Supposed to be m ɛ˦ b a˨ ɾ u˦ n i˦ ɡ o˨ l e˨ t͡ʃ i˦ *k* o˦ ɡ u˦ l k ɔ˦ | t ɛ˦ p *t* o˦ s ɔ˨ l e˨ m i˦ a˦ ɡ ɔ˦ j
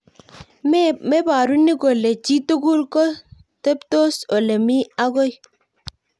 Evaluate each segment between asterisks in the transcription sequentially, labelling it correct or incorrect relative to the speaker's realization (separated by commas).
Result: incorrect, correct